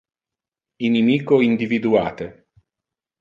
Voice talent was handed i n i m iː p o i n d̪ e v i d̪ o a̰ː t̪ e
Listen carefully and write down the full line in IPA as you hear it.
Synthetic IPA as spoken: i n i m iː k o i n d̪ i v i d̪ u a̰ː t̪ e